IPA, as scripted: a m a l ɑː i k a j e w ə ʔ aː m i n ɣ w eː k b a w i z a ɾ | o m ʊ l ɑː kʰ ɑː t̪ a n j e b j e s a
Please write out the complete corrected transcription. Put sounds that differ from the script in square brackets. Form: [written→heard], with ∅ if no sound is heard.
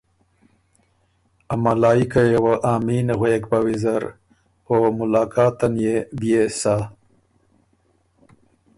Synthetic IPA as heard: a m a l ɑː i k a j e w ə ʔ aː m i n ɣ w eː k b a w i z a ɾ | o m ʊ l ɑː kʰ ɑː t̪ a n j e b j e s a